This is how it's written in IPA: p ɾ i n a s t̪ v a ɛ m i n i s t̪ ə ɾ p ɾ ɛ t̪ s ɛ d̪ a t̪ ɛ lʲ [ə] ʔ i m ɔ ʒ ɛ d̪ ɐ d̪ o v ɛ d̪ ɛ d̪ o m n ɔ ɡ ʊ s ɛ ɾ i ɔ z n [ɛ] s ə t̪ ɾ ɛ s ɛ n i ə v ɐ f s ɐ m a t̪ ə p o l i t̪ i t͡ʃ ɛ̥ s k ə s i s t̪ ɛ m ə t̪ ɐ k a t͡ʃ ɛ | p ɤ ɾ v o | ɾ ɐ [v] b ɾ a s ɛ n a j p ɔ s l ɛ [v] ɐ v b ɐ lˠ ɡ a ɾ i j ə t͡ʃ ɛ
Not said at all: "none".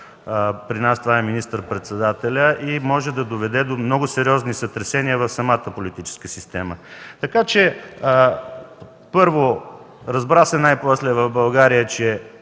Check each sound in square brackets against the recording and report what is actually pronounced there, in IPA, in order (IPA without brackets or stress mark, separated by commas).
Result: ə, i, z, v